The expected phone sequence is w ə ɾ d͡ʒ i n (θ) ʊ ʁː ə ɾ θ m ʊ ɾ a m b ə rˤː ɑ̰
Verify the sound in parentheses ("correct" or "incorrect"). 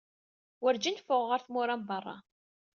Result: incorrect